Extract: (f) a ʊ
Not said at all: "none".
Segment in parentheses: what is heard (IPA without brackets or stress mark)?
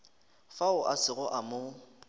f